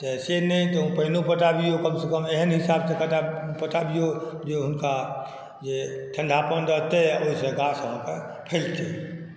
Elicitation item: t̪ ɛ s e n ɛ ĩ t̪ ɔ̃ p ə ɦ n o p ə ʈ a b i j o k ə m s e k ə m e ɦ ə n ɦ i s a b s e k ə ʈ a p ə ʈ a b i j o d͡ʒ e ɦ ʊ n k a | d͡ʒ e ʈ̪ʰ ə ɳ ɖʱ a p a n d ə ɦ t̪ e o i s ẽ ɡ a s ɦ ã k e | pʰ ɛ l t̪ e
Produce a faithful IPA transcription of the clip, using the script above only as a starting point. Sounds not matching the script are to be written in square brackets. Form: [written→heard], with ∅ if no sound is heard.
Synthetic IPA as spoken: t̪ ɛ s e n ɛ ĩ t̪ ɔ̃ p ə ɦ n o p ə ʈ a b i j o k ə m s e k ə m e ɦ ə n ɦ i s a b s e k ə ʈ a p ə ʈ a b i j o d͡ʒ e ɦ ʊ n k a | d͡ʒ e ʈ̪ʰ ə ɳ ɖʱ a p [a→ə] n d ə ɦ t̪ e o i s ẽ ɡ a s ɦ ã k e | pʰ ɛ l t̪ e

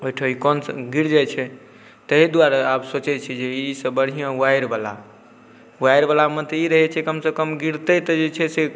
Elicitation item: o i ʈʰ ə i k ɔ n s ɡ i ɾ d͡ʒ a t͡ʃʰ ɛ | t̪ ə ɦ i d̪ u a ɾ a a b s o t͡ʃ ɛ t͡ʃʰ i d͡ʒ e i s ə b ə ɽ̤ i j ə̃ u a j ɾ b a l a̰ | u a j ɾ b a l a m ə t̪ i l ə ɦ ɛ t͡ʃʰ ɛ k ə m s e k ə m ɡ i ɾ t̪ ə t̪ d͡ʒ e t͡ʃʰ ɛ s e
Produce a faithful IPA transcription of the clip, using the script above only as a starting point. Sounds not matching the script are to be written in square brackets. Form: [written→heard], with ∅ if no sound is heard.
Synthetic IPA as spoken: o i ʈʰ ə i k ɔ n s ɡ i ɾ d͡ʒ a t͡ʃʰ ɛ | t̪ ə ɦ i d̪ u a ɾ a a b s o t͡ʃ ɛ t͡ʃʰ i d͡ʒ e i s ə b ə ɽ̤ i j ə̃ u a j ɾ b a l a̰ | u a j ɾ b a l a m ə t̪ i [l→ɾ] ə ɦ ɛ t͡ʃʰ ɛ k ə m s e k ə m ɡ i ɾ t̪ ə t̪ d͡ʒ e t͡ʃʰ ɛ s e

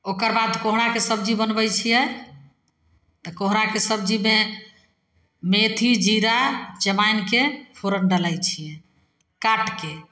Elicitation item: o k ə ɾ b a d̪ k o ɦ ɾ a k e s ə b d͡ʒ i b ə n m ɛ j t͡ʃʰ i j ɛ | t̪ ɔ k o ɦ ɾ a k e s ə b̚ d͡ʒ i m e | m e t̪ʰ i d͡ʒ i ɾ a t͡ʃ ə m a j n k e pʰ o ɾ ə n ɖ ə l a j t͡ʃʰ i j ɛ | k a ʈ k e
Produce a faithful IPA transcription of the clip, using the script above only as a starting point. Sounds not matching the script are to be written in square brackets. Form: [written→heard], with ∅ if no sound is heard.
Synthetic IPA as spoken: o k ə ɾ b a d̪ k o ɦ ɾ a k e s ə b d͡ʒ i b ə n [m→b] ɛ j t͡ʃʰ i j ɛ | t̪ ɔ k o ɦ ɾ a k e s ə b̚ d͡ʒ i m e | m e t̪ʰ i d͡ʒ i ɾ a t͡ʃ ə m a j n k e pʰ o ɾ ə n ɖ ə l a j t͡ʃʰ i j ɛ | k a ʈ k e

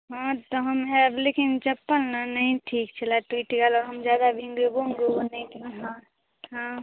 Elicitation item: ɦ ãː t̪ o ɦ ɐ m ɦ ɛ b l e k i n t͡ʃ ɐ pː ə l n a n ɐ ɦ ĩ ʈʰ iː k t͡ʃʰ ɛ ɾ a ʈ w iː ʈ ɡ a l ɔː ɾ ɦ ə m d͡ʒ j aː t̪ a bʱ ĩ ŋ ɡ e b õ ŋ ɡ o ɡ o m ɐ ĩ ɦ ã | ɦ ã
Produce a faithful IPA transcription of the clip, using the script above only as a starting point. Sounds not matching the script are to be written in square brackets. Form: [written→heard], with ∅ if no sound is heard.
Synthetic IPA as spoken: ɦ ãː t̪ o ɦ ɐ m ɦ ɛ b l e k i n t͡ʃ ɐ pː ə l n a n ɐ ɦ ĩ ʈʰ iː k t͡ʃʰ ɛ [ɾ→l] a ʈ w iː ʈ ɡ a l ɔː ɾ ɦ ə m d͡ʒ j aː [t̪→d̪] a bʱ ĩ ŋ ɡ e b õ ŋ ɡ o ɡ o [m→n] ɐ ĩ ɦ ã | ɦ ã

